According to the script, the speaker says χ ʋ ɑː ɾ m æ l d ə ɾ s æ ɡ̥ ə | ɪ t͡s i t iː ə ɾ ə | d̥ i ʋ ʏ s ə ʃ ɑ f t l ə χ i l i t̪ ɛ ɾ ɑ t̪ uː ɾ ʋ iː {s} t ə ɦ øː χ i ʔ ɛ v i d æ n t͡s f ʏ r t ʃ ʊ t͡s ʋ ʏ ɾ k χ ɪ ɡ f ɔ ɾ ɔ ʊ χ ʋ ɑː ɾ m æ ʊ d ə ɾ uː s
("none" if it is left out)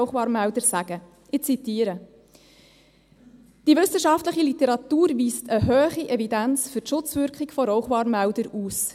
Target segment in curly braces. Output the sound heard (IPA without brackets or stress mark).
s